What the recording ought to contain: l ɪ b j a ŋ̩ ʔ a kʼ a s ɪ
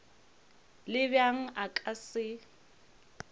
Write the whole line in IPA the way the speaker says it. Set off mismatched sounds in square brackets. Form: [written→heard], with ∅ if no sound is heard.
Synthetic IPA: l ɪ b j a ŋ̩ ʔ a kʼ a s ɪ